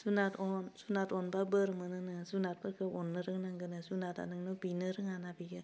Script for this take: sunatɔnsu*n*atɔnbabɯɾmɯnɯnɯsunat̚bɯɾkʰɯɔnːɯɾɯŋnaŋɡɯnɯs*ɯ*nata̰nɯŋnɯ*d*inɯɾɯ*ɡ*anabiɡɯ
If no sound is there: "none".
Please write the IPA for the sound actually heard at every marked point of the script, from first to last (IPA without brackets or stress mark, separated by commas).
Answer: n, u, b, ŋ